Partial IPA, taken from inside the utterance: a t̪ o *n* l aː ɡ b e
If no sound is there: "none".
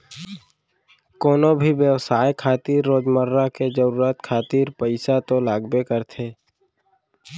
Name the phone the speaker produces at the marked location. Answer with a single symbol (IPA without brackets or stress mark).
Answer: none